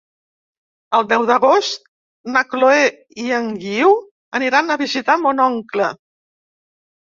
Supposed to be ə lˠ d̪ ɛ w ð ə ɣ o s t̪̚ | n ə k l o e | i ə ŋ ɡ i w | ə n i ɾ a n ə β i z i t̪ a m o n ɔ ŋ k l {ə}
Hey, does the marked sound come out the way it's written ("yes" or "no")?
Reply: yes